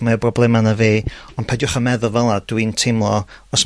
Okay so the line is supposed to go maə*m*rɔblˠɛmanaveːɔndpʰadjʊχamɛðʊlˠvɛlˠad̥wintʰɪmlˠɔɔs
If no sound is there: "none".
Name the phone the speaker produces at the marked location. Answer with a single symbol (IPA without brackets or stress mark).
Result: b